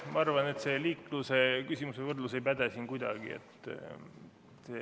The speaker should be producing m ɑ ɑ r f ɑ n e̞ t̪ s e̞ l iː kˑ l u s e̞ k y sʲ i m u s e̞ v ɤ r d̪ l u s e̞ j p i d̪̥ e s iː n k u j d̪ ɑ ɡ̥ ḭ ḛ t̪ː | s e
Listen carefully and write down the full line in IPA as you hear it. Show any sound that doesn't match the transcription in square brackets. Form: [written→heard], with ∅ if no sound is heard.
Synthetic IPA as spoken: m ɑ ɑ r [f→v] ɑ n e̞ t̪ s e̞ l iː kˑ l u s e̞ k y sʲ i m u s e̞ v ɤ r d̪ l u s e̞ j p [i→æ] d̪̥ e s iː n k u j d̪ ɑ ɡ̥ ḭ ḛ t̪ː | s e